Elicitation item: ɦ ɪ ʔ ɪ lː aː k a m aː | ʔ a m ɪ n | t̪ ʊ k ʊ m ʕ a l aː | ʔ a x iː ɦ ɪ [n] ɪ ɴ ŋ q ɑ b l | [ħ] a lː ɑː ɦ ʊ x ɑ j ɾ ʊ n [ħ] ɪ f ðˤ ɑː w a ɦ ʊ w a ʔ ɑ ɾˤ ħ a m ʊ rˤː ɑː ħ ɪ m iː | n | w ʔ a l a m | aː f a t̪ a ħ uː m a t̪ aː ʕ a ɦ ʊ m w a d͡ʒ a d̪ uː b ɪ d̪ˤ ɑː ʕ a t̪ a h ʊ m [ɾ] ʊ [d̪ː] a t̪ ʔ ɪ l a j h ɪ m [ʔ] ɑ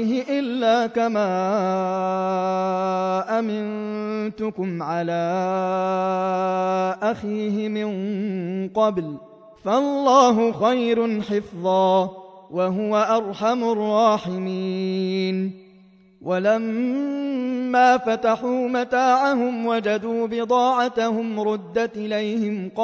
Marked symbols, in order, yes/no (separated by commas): no, no, yes, yes, yes, no